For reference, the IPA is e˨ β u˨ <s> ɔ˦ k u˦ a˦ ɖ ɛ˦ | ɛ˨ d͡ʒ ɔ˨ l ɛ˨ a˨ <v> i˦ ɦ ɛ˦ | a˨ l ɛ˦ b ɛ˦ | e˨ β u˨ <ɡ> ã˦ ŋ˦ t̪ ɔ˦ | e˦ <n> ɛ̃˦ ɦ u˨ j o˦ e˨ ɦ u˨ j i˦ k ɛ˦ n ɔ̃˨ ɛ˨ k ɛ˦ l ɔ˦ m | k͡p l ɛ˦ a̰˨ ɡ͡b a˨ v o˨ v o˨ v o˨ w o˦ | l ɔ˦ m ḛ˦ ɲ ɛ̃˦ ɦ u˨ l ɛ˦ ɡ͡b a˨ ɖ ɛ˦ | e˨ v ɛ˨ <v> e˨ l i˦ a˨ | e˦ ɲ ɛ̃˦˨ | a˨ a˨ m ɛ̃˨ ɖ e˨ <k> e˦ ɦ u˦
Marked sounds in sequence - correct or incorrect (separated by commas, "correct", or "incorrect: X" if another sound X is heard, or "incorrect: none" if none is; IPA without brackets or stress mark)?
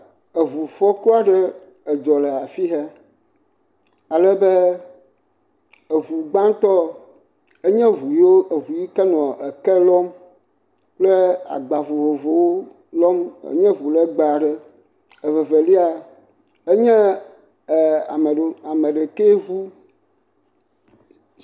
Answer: incorrect: f, incorrect: f, incorrect: ɡ͡b, incorrect: ɲ, correct, correct